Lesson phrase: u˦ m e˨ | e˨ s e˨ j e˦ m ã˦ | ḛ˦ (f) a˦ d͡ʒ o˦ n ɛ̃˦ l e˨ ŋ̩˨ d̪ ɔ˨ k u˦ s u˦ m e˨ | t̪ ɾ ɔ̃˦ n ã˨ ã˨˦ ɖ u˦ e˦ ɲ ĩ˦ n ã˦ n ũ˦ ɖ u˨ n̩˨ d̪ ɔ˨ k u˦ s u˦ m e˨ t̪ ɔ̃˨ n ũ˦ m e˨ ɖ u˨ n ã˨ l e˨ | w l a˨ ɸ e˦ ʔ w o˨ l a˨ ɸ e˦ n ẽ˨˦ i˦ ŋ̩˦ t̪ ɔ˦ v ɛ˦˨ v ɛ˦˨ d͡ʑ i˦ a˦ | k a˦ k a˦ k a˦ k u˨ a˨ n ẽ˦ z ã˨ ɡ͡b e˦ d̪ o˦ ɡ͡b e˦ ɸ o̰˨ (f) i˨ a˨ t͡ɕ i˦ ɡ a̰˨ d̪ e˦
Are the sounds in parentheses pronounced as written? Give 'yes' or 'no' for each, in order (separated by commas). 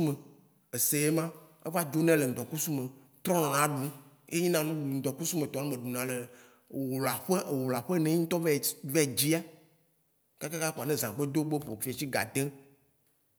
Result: no, yes